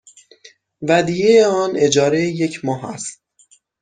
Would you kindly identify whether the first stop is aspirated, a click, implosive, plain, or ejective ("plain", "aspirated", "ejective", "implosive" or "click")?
plain